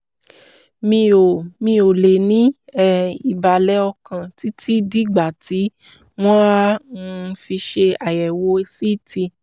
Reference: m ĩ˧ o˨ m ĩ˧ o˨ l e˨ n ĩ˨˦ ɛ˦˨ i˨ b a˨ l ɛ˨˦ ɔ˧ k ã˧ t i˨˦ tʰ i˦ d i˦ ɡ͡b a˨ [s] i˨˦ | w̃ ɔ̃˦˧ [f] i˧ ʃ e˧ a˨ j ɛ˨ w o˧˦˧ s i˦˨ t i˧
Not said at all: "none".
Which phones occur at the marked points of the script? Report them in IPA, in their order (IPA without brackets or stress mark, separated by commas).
t, f